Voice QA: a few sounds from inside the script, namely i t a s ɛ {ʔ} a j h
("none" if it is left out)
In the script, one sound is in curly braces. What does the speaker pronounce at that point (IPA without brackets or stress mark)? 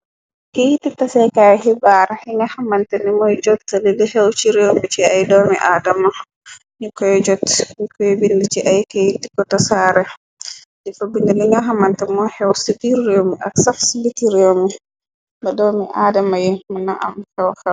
k